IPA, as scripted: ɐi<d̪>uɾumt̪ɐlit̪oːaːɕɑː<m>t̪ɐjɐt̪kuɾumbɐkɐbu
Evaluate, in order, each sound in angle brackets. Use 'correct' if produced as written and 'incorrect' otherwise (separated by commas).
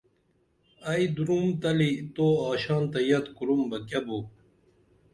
correct, incorrect